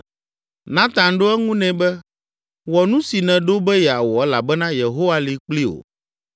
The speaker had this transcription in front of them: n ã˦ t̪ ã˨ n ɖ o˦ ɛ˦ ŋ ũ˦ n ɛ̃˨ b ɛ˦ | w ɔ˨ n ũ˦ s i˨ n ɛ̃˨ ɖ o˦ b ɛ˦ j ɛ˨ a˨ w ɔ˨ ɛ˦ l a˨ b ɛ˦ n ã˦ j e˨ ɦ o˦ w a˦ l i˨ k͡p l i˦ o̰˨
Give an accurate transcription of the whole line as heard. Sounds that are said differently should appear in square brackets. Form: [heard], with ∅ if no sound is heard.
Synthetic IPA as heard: n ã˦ t̪ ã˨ n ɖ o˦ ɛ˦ ŋ ũ˦ n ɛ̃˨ b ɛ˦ | w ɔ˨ n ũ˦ s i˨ n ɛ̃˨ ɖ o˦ b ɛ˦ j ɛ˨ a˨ w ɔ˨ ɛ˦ l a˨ b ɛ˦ n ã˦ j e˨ ɦ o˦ w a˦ l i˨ k͡p l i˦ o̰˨